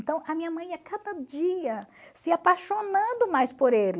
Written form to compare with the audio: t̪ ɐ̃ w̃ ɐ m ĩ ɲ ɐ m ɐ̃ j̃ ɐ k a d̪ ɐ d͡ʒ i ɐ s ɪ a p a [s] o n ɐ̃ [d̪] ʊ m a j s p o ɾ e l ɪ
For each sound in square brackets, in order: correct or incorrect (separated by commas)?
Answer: incorrect, correct